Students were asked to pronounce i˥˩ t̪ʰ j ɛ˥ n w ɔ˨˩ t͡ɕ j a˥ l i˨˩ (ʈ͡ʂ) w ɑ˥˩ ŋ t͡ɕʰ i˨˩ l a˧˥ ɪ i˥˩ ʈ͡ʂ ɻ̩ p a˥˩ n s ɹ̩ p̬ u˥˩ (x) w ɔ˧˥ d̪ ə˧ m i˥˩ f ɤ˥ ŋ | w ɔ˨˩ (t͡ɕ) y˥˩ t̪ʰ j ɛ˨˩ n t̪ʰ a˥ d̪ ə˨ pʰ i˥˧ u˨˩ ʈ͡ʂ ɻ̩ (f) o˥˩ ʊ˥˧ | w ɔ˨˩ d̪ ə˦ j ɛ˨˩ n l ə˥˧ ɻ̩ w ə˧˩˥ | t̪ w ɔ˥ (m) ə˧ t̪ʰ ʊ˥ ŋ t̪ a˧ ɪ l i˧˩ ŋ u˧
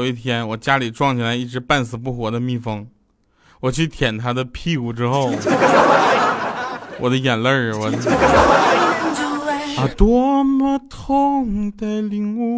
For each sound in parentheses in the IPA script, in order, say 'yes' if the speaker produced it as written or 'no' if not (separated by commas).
yes, yes, no, no, yes